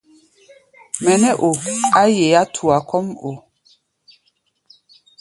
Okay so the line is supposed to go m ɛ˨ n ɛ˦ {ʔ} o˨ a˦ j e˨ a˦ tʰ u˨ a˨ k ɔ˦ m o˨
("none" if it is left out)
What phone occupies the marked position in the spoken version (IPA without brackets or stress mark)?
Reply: ʔ